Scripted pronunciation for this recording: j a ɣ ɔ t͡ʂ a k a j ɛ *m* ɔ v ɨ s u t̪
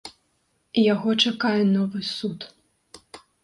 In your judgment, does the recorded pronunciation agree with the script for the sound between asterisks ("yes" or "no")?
no